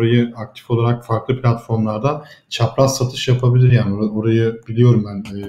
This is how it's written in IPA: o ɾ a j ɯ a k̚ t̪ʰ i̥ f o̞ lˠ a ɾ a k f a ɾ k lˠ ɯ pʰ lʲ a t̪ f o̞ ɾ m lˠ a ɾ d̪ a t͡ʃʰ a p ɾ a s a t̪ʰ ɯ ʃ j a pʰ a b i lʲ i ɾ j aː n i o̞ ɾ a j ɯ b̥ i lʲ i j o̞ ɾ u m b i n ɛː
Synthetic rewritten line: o ɾ a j ɯ a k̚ t̪ʰ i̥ f o̞ lˠ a ɾ a k f a ɾ k lˠ ɯ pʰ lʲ a t̪ f o̞ ɾ m lˠ a ɾ d̪ a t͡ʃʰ a p ɾ a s a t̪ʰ ɯ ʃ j a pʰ a b i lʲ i ɾ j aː n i o̞ ɾ a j ɯ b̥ i lʲ i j o̞ ɾ u m b æ n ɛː